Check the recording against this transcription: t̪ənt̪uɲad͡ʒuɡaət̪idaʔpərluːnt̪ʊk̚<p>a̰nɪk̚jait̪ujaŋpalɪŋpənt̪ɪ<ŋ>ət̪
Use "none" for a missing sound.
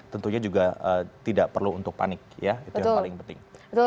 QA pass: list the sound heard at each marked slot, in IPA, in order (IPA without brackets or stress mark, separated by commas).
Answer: p, ŋ